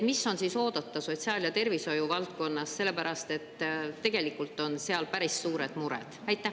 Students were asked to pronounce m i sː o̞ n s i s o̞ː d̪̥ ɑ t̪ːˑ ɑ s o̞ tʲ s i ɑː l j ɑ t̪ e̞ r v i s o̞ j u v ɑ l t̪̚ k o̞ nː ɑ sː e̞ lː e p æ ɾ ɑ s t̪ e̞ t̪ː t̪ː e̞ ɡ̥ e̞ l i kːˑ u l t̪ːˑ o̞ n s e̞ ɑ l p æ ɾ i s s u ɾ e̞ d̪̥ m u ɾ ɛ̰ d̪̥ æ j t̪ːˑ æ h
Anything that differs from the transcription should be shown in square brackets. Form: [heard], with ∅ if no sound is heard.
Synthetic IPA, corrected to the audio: m i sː o̞ n s i s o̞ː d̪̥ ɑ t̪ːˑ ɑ s o̞ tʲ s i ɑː l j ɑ t̪ e̞ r v i s o̞ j u v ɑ l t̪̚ k o̞ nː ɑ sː e̞ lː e p æ ɾ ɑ s t̪ e̞ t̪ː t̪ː e̞ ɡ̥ e̞ l i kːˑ u l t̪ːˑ o̞ n s e̞ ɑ l p æ ɾ i s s [uː] ɾ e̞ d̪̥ m u ɾ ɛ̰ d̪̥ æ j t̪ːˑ æ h